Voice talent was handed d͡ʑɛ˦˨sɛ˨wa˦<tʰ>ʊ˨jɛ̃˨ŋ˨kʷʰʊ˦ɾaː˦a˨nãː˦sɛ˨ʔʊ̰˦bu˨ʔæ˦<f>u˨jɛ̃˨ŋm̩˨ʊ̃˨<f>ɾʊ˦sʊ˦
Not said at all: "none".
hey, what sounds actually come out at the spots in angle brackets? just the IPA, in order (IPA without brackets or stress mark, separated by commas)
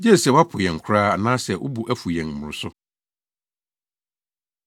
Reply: pʰ, f, none